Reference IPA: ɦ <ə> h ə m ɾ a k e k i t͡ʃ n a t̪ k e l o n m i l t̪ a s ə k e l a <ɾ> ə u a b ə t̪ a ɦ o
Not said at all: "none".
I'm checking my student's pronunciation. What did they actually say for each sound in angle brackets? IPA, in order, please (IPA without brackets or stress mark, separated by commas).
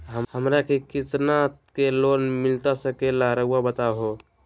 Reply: ə, ɾ